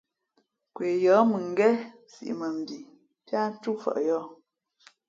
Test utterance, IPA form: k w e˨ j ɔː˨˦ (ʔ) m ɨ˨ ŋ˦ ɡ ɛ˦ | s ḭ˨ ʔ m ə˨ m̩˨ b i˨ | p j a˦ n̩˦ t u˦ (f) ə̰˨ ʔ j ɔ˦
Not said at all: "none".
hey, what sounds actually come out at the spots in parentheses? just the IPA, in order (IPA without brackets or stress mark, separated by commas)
none, f